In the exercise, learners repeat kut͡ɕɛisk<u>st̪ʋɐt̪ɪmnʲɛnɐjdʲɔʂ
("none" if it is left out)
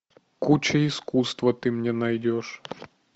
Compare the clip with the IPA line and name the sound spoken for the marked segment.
u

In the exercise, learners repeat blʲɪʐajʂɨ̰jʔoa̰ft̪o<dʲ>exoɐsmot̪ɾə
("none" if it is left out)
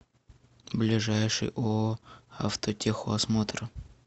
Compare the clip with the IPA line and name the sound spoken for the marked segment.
tʲ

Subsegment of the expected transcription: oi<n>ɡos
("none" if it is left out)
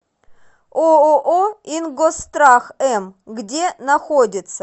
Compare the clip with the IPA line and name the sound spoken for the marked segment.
n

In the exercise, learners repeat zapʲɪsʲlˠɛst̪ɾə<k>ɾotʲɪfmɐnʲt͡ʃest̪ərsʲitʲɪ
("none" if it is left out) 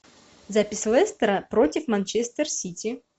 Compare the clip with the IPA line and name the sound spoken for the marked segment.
p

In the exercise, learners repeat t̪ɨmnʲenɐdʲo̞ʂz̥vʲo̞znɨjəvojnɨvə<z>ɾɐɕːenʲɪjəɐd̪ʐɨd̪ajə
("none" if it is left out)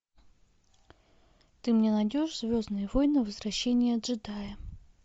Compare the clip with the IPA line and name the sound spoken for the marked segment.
z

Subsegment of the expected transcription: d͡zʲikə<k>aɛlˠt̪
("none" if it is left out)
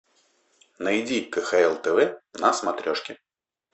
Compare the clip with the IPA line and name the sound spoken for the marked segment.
x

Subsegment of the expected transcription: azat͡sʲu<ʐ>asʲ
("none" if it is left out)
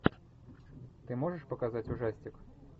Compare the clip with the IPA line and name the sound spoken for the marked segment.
ʐ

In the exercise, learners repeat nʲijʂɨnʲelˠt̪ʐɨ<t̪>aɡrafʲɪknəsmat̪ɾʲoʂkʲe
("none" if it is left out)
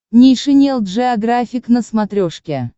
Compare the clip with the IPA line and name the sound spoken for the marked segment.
none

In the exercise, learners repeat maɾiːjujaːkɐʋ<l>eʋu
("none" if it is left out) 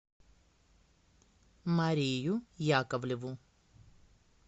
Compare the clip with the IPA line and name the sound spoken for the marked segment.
l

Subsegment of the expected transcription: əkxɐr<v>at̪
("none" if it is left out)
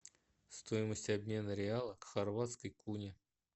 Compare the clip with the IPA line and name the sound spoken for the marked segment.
v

